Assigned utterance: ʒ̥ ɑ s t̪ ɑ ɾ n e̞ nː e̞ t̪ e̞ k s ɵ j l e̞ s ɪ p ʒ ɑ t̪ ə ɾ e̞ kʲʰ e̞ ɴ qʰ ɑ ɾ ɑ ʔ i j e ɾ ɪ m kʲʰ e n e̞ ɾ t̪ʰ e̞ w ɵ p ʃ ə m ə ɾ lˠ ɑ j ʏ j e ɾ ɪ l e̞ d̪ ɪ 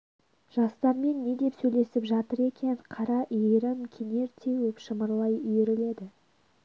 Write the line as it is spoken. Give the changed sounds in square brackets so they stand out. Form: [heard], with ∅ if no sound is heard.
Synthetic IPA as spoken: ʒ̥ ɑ s t̪ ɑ ɾ [m] e̞ nː e̞ [d̪] e̞ [p] s ɵ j l e̞ s ɪ p ʒ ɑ t̪ ə ɾ e̞ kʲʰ e̞ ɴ qʰ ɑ ɾ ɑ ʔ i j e ɾ ɪ m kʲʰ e n e̞ ɾ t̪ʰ e̞ w ɵ p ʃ ə m ə ɾ lˠ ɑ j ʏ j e ɾ ɪ l e̞ d̪ ɪ

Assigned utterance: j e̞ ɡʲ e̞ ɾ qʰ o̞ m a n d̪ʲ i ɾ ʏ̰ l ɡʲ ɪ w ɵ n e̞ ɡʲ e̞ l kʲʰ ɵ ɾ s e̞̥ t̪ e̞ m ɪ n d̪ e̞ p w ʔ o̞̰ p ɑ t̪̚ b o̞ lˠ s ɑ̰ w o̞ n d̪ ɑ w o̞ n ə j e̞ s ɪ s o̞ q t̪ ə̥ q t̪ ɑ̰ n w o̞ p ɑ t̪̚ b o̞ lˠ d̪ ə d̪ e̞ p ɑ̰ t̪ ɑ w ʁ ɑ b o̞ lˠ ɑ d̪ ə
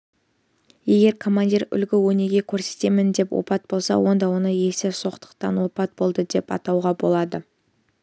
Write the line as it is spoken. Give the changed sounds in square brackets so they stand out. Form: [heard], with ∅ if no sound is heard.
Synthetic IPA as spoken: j e̞ ɡʲ e̞ ɾ [kʰ] o̞ m a n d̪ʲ i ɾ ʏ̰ l ɡʲ ɪ w ɵ n e̞ ɡʲ e̞ [∅] kʲʰ ɵ ɾ s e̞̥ t̪ e̞ m ɪ n d̪ e̞ p w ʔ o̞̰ p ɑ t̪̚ b o̞ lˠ s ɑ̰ w o̞ n d̪ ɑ w o̞ n ə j e̞ s ɪ s o̞ q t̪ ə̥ q t̪ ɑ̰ n w o̞ p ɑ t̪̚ b o̞ lˠ d̪ ə d̪ e̞ p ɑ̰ t̪ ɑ w ʁ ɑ b o̞ lˠ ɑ d̪ ə

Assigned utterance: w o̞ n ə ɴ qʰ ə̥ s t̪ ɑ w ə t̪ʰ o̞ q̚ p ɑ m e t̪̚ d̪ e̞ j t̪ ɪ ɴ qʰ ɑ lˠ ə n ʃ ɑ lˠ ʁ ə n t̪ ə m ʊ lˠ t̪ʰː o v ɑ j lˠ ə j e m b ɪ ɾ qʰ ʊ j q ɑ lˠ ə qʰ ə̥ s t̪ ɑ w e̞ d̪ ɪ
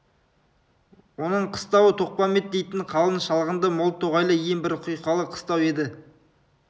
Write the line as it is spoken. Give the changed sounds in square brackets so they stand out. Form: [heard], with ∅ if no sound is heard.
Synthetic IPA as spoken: w o̞ n ə ɴ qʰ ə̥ s t̪ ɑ w ə t̪ʰ o̞ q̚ p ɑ m e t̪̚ d̪ e̞ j t̪ ɪ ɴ qʰ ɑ lˠ ə n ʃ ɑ lˠ ʁ ə n [d̪] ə m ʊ lˠ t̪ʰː o [ʁ] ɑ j lˠ ə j e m b ɪ ɾ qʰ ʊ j q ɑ lˠ ə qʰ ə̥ s t̪ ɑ w e̞ d̪ ɪ

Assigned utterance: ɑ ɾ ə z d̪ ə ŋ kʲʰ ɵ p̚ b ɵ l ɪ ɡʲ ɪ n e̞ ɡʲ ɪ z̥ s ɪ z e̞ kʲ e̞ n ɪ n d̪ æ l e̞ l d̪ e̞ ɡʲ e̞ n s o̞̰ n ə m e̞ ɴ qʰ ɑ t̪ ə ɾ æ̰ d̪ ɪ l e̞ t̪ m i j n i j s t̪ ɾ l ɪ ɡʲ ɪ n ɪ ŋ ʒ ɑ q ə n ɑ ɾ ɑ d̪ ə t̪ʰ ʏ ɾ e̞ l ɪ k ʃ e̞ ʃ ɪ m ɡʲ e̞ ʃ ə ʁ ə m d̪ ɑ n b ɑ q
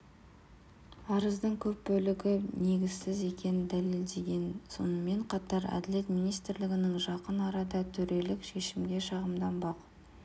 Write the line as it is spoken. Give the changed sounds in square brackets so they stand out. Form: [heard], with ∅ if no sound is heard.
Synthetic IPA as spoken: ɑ ɾ ə z d̪ ə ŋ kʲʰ ɵ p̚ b ɵ l ɪ ɡʲ ɪ n e̞ ɡʲ ɪ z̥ s ɪ z e̞ kʲ e̞ n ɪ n d̪ æ l e̞ l d̪ e̞ ɡʲ e̞ n s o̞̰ n ə m e̞ ɴ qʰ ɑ t̪ [ɑ] ɾ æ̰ d̪ ɪ l e̞ t̪ m i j n i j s t̪ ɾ l ɪ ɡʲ ɪ n ɪ ŋ ʒ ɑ q ə n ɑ ɾ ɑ d̪ [ɑ] t̪ʰ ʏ ɾ e̞ l ɪ k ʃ e̞ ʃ ɪ m ɡʲ e̞ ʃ [ɑ] ʁ ə m d̪ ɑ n b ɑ q

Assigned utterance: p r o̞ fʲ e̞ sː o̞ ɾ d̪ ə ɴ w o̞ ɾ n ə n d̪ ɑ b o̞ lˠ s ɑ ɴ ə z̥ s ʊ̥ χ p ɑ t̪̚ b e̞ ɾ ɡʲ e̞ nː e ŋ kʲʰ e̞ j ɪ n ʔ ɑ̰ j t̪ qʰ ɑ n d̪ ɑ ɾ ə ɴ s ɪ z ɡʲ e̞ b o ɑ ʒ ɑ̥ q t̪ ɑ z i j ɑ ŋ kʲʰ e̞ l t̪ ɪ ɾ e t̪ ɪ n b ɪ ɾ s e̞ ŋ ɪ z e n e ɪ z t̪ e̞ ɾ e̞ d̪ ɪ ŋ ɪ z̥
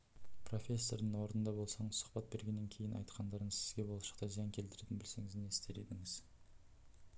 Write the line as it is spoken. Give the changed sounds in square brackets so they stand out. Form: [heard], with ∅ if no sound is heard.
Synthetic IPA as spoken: p r o̞ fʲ e̞ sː o̞ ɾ d̪ ə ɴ w o̞ ɾ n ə n d̪ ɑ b o̞ lˠ s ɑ ɴ ə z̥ s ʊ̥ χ p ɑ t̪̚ b e̞ ɾ ɡʲ e̞ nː e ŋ kʲʰ e̞ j ɪ n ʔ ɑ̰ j t̪ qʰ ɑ n d̪ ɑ ɾ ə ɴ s ɪ z ɡʲ e̞ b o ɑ [ʃ] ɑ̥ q t̪ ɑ z i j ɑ ŋ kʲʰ e̞ l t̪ ɪ ɾ e t̪ ɪ n b ɪ [l] s e̞ ŋ ɪ z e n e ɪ [s] t̪ e̞ ɾ e̞ d̪ ɪ ŋ ɪ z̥

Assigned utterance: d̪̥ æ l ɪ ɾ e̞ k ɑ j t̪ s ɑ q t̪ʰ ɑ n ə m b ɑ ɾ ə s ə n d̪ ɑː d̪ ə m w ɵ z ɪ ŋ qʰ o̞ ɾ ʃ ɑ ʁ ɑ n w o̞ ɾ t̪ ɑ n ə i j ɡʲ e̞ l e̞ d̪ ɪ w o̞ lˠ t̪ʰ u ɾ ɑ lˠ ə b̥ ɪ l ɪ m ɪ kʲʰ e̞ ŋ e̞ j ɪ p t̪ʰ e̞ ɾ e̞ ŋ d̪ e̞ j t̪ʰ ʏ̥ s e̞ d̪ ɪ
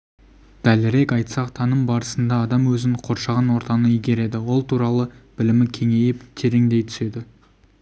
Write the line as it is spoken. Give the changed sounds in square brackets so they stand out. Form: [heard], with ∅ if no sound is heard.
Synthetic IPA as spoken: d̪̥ æ l ɪ ɾ e̞ k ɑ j t̪ s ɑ q t̪ʰ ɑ n ə m b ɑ ɾ ə s ə n d̪ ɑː d̪ [ɑ] m w ɵ z ɪ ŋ qʰ o̞ ɾ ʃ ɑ ʁ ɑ n w o̞ ɾ t̪ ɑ n ə i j ɡʲ e̞ [ɾ] e̞ d̪ ɪ w o̞ lˠ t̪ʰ u ɾ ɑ lˠ ə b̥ ɪ l ɪ m ɪ kʲʰ e̞ ŋ e̞ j ɪ p t̪ʰ e̞ ɾ e̞ ŋ d̪ e̞ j t̪ʰ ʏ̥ s e̞ d̪ ɪ

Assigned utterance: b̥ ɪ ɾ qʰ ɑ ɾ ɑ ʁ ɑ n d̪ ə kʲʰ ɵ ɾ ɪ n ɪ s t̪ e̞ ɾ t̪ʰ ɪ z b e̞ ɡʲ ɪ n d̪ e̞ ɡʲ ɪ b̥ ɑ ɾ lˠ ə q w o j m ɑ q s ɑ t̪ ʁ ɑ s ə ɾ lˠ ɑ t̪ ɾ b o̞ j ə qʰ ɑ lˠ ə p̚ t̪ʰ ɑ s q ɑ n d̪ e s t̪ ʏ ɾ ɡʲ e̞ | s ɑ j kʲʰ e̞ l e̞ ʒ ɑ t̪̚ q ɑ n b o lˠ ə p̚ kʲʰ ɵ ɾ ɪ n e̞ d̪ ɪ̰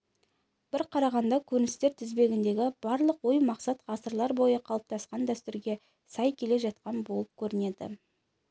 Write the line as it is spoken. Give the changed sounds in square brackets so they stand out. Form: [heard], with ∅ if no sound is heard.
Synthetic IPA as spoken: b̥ ɪ ɾ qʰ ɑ ɾ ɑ ʁ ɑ n d̪ [ɑ] kʲʰ ɵ ɾ ɪ n ɪ s t̪ e̞ ɾ t̪ʰ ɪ z b e̞ ɡʲ ɪ n d̪ e̞ ɡʲ ɪ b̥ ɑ ɾ lˠ ə q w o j m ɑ q s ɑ t̪ ʁ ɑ s ə ɾ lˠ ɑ [∅] ɾ b o̞ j ə qʰ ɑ lˠ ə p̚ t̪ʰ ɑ s q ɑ n d̪ [æ] s t̪ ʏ ɾ ɡʲ e̞ | s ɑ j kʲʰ e̞ l e̞ ʒ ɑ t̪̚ q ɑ n b o lˠ ə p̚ kʲʰ ɵ ɾ ɪ n e̞ d̪ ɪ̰

